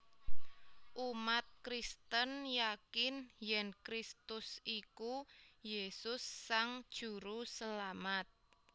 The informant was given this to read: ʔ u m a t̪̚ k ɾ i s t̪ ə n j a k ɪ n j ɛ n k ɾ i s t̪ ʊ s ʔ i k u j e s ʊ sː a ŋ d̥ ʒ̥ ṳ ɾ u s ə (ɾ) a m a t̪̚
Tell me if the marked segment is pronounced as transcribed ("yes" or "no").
no